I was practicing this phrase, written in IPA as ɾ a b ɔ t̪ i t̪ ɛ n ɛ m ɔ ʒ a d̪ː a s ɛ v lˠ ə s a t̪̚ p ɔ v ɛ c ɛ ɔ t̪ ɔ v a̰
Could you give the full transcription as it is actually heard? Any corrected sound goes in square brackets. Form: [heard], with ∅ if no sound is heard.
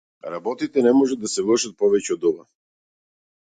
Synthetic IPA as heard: ɾ a b ɔ t̪ i t̪ ɛ n ɛ m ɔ ʒ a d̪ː a s ɛ v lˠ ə [ʃ] a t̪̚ p ɔ v ɛ c ɛ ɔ [d̪] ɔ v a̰